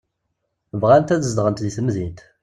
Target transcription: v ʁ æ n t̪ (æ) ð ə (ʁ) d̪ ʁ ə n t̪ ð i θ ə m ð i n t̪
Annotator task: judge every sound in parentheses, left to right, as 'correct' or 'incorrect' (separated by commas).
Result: correct, incorrect